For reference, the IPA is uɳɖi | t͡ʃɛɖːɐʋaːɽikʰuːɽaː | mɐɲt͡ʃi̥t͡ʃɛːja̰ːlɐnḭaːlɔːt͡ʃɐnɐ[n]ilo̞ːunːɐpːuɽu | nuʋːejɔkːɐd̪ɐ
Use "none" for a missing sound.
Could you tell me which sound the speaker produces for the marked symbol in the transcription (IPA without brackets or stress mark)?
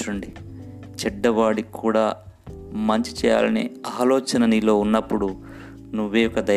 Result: n